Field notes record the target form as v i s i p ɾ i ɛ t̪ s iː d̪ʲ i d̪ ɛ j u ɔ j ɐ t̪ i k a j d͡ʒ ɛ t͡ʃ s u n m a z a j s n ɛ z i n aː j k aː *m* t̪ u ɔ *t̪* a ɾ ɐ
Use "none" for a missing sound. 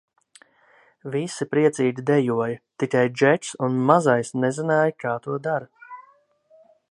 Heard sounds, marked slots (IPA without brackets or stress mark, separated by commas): none, d̪